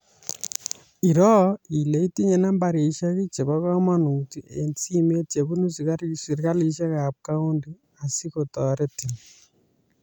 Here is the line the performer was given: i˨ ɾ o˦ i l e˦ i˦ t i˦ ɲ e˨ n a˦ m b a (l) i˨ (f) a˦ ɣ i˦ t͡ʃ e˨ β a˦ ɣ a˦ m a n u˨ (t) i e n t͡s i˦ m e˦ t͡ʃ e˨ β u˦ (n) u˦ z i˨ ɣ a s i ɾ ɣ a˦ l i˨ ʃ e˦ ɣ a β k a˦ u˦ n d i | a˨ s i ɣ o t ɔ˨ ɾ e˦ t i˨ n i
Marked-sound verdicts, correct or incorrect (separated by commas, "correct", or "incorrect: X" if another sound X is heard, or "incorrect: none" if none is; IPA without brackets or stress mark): incorrect: ɾ, incorrect: ʃ, correct, correct